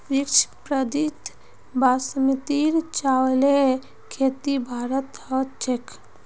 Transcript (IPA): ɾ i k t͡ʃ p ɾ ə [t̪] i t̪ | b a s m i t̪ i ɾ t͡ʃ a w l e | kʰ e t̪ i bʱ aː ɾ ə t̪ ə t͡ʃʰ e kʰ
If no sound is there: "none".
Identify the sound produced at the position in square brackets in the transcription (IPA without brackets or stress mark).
d̪